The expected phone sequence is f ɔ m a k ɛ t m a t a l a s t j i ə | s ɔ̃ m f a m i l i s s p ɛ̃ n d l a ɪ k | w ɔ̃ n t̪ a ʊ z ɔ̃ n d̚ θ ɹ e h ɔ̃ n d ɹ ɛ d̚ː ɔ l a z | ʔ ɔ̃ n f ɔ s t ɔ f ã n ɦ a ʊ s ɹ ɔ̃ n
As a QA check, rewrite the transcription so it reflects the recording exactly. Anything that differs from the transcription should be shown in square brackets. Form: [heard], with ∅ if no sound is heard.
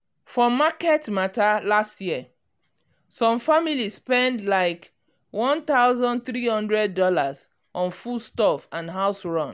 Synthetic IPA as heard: f ɔ m a k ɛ t m a t a l a s t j i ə | s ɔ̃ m f a m i l i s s p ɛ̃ n d l a ɪ k | w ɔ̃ n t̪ a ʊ z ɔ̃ n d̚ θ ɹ [i] h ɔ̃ n d ɹ ɛ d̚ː ɔ l a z | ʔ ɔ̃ n f [u] s t ɔ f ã n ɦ a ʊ s ɹ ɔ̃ n

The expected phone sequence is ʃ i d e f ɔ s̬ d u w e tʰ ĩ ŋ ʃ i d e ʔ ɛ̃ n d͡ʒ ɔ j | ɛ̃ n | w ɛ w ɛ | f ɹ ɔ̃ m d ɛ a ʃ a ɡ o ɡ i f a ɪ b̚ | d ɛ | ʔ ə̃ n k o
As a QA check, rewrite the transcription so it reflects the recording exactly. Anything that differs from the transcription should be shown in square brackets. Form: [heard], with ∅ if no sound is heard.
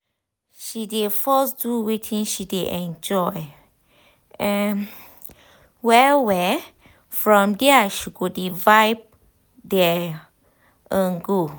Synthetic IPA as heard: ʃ i d e f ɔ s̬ d u w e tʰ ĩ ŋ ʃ i d e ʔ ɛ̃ n d͡ʒ ɔ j | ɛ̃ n | w ɛ w ɛ | f ɹ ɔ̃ m d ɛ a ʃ [i] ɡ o [d] i [v] a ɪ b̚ | d ɛ | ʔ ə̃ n [ɡ] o

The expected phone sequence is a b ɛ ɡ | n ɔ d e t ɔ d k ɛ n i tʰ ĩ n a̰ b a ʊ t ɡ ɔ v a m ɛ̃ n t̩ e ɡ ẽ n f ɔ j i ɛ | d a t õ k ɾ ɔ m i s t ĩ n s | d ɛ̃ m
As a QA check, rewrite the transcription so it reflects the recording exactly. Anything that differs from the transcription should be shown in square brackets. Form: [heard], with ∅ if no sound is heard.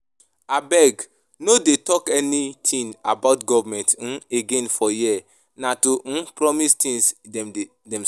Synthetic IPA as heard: a b ɛ ɡ | n [o] d e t ɔ [∅] k ɛ n i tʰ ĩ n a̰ b a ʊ t ɡ ɔ v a m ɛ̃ n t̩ e ɡ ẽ n f ɔ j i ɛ | [n] a t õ [p] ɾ ɔ m i s t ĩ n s | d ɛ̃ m

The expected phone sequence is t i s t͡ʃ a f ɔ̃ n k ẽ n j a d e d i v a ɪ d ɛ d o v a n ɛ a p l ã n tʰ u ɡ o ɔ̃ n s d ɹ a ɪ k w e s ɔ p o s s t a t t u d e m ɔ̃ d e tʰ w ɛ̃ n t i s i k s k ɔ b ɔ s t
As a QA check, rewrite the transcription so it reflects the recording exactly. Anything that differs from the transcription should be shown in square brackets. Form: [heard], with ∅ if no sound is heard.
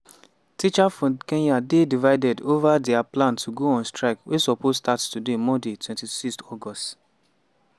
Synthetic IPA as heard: t i [∅] t͡ʃ a f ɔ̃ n k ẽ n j a d e d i v a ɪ d ɛ d o v a [d] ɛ a p l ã n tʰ u ɡ o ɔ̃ n s [t] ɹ a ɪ k w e s ɔ p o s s t a t t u d e m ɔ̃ d e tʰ w ɛ̃ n t i s i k s [t] ɔ [ɡ] ɔ s t

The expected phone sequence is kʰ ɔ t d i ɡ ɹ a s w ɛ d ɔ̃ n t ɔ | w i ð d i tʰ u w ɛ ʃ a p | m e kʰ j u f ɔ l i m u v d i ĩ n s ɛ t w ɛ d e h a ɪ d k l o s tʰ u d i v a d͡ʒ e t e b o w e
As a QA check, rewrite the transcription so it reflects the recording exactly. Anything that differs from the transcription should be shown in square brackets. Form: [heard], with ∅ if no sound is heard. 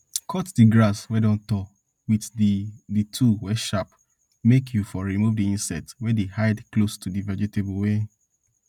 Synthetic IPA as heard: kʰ ɔ t d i ɡ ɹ a s w ɛ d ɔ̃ n t ɔ | w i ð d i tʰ u w ɛ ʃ a p | m e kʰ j u f ɔ [ɹ] i m u v d i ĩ n s ɛ t w ɛ d e h a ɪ d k l o s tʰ u d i v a d͡ʒ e t e b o w e

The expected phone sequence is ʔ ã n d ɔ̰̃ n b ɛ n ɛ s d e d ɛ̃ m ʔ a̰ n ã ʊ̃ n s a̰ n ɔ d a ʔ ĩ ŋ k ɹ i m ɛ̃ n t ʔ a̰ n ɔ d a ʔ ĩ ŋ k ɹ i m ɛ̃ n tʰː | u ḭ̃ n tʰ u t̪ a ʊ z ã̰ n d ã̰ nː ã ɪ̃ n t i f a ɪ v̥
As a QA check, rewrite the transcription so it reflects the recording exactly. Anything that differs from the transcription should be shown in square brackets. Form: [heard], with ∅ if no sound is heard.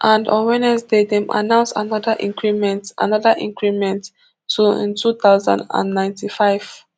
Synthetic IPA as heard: ʔ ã n d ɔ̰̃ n [w] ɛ n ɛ s d e d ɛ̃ m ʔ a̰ n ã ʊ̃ n s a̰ n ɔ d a ʔ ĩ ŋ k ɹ i m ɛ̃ n t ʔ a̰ n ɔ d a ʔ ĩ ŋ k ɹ i m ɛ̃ n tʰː | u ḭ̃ n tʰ u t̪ a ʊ z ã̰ n d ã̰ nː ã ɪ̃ n t i f a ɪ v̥

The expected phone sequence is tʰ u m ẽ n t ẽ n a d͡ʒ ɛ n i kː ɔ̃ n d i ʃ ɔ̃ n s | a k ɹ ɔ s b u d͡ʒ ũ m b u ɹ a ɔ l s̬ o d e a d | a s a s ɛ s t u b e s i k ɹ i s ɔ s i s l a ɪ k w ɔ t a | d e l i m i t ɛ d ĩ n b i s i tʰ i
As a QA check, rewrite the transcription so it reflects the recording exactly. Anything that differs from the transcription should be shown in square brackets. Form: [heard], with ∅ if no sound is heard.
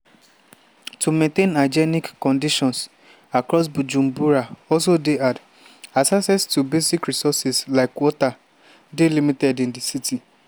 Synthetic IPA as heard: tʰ u m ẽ n t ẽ n a d͡ʒ ɛ n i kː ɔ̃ n d i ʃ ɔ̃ n s | a k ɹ ɔ s b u d͡ʒ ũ m b u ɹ a ɔ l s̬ o d e a d | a s a s ɛ s t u b e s i k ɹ i s ɔ s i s l a ɪ k w ɔ t a | d e l i m i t ɛ d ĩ n [d] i s i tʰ i

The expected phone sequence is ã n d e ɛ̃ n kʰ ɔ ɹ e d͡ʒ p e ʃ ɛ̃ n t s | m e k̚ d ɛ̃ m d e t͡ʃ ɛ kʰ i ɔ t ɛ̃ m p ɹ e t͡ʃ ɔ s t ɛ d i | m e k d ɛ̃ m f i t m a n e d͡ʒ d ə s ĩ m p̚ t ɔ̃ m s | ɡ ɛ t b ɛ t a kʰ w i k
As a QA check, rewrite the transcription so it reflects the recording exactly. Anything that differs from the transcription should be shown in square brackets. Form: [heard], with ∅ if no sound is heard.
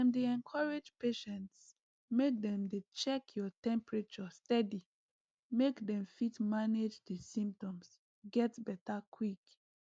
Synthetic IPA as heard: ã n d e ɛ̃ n kʰ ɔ ɹ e d͡ʒ p e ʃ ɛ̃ n t s | m e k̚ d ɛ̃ m d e t͡ʃ ɛ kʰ [j] ɔ t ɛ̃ m p ɹ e t͡ʃ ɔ s t ɛ d i | m e k d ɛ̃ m f i t m a n e d͡ʒ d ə s ĩ m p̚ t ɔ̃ m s | ɡ ɛ t b ɛ t a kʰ w i k

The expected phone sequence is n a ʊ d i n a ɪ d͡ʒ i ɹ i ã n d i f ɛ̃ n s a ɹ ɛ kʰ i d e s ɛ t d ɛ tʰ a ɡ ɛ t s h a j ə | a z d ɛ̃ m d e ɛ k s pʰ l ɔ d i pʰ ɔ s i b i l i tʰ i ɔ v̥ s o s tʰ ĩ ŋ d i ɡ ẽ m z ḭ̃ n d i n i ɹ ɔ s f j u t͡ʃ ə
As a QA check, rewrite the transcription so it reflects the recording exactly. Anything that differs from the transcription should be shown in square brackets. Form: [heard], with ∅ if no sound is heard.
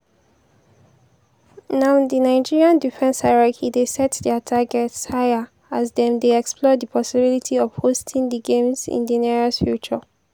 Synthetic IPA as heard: n a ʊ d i n a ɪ d͡ʒ i ɹ i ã n d i f ɛ̃ n s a ɹ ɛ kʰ i d e s ɛ t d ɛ tʰ a ɡ ɛ t s h a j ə | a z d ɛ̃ m d e ɛ k s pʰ l ɔ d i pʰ ɔ s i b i l i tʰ i ɔ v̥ [h] o s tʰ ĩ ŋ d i ɡ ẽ m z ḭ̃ n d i n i ɹ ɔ s f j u t͡ʃ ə

